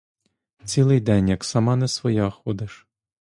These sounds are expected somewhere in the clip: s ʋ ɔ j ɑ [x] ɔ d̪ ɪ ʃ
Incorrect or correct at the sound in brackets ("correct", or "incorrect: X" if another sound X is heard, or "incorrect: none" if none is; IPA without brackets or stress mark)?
correct